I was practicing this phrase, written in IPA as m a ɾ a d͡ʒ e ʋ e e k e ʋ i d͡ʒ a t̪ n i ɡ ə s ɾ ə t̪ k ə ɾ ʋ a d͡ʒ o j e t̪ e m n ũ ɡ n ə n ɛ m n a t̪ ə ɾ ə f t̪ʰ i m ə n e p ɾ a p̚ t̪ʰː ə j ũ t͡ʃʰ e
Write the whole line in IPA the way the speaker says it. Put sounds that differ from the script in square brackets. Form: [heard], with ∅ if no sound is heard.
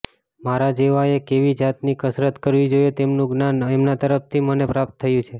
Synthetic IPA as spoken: m a ɾ a d͡ʒ e ʋ [a] e k e ʋ i d͡ʒ a t̪ n i [k] ə s ɾ ə t̪ k ə ɾ ʋ [i] d͡ʒ o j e t̪ e m n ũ ɡ n [a] n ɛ m n a t̪ ə ɾ ə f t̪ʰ i m ə n e p ɾ a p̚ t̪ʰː ə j ũ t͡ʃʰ e